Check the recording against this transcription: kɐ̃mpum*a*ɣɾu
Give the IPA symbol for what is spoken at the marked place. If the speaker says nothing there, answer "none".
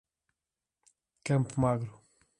a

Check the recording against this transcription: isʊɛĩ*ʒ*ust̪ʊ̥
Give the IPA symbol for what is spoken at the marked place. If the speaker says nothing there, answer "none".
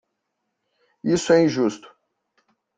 ʒ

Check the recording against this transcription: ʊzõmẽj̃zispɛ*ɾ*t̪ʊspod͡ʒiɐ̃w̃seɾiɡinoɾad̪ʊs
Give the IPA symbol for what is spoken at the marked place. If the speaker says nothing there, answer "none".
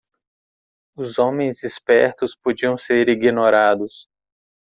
ɾ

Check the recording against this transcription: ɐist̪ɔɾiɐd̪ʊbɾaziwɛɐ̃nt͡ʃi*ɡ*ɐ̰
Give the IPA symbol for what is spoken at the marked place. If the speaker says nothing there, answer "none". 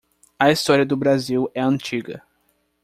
ɡ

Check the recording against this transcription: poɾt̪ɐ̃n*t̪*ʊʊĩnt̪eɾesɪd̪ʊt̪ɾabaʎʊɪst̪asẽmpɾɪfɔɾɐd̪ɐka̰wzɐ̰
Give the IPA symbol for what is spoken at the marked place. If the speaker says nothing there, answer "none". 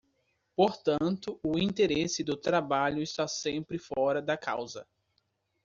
t̪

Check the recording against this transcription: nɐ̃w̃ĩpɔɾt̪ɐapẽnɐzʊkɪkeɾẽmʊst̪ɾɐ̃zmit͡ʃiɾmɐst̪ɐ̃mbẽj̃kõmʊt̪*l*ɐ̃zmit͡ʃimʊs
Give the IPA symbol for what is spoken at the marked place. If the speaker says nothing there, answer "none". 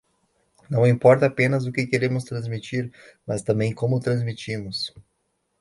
ɾ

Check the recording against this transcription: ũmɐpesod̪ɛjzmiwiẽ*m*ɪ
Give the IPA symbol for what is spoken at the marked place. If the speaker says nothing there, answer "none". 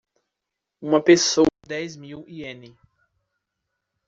n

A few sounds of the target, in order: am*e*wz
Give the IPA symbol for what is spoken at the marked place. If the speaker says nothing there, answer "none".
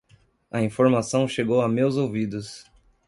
e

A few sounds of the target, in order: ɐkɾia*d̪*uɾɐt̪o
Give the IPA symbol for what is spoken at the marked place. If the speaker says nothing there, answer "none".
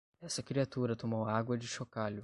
t̪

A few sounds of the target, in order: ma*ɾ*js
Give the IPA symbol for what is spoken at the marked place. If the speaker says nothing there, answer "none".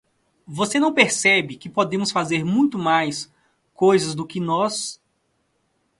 none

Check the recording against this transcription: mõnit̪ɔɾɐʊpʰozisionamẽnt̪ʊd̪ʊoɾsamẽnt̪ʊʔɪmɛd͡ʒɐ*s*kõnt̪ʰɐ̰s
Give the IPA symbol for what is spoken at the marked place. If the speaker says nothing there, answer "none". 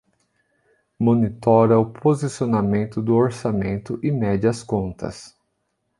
s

